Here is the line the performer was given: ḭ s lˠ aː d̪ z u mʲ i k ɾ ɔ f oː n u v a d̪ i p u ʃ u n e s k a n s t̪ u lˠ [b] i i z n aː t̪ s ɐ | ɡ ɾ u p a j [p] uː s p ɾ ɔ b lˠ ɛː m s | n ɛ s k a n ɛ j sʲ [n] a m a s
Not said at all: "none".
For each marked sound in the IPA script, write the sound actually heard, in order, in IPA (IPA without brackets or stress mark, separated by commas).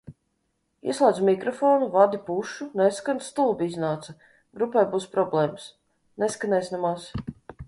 b, b, n